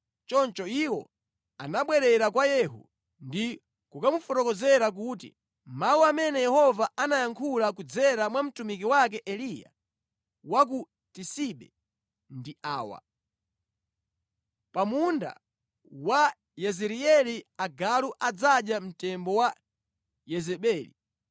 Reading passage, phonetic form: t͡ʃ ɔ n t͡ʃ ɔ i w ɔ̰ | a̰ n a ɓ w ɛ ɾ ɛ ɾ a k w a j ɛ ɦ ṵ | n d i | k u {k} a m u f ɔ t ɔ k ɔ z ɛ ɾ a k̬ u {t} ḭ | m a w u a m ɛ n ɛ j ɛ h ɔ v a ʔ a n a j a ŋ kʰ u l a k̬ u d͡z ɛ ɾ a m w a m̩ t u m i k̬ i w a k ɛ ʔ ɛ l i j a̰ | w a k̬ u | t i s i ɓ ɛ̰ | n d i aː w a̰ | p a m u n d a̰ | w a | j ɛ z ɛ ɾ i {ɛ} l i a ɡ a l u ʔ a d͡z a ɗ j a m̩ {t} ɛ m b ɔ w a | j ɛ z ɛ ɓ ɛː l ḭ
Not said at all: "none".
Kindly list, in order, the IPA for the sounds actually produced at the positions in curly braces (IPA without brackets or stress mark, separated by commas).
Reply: k, t, ɛ, t